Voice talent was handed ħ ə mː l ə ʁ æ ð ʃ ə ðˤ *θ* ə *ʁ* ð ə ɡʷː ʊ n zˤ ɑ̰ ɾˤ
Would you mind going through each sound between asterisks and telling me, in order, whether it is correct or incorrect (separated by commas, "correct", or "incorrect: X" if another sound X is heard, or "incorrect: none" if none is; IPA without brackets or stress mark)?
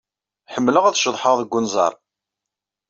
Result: incorrect: ħ, correct